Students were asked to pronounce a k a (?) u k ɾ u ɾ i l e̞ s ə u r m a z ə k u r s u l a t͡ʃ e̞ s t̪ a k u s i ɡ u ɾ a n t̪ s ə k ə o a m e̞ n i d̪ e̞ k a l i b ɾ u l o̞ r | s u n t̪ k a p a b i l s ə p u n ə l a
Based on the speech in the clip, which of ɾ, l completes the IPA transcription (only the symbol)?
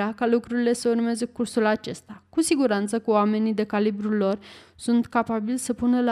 l